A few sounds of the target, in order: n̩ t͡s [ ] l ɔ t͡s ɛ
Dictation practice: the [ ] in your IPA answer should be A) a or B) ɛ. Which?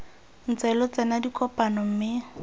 B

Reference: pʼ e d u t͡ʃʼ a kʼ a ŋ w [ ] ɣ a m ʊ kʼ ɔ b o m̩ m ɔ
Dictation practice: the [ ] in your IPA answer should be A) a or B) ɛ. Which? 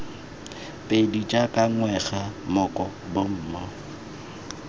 B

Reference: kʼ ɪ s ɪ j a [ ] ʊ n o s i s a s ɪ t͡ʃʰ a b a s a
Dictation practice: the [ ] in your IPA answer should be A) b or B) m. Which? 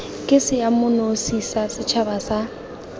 B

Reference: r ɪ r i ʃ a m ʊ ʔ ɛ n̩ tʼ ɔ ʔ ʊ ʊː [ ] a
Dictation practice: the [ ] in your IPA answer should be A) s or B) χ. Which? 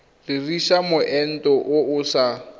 A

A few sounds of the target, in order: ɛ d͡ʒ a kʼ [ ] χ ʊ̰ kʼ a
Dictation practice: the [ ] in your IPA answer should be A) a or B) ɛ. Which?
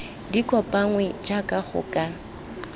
A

